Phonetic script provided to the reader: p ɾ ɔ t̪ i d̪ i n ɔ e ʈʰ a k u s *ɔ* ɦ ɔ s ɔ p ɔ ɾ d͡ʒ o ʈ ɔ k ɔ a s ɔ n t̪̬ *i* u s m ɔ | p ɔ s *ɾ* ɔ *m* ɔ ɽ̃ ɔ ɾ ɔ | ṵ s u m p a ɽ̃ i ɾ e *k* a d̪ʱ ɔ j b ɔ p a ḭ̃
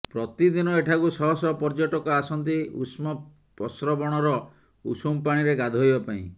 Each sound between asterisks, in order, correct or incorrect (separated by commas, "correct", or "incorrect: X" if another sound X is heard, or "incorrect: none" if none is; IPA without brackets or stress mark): correct, correct, correct, incorrect: b, incorrect: ɡ